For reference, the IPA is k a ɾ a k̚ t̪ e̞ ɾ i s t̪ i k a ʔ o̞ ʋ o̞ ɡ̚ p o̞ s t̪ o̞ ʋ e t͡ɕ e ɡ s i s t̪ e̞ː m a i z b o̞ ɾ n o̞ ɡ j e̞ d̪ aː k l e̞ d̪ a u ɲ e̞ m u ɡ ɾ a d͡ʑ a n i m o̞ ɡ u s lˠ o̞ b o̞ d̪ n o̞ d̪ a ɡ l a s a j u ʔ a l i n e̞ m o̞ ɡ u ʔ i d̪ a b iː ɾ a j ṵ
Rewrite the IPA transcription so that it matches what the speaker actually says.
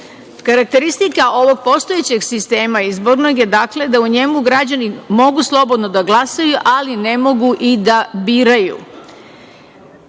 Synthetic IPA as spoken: k a ɾ a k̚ t̪ e̞ ɾ i s t̪ i k a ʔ o̞ ʋ o̞ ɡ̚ p o̞ s t̪ o̞ e t͡ɕ e ɡ s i s t̪ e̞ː m a i z b o̞ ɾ n o̞ ɡ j e̞ d̪ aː k l e̞ d̪ a u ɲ e̞ m u ɡ ɾ a d͡ʑ a n i m o̞ ɡ u s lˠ o̞ b o̞ d̪ n o̞ d̪ a ɡ l a s a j u ʔ a l i n e̞ m o̞ ɡ u ʔ i d̪ a b iː ɾ a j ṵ